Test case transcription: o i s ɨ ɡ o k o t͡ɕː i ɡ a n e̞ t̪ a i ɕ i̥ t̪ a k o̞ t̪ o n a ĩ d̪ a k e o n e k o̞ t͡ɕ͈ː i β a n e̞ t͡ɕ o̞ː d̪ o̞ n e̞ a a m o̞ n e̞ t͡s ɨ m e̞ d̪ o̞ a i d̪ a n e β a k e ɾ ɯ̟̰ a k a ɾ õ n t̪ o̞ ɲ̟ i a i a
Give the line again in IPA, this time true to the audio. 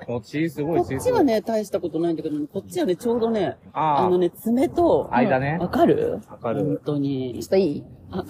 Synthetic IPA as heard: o i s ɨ ɡ o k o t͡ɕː i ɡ a n e̞ t̪ a i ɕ i̥ t̪ a k o̞ t̪ o n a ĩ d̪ a k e o n e k o̞ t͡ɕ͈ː i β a n e̞ t͡ɕ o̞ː d̪ o̞ n e̞ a a n o̞ n e̞ t͡s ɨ m e̞ t̪ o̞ a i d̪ a n e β a k a ɾ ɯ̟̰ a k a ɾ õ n t̪ o̞ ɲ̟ i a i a